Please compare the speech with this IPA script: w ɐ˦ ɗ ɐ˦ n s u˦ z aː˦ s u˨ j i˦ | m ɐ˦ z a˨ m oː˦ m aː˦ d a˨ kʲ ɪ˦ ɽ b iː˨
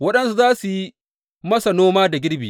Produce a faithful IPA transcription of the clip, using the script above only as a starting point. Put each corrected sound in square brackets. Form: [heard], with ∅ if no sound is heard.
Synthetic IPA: w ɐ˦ ɗ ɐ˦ n s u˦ z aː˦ s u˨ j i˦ | m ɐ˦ [s] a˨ [n] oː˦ m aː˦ d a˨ [ɡʲ] ɪ˦ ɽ b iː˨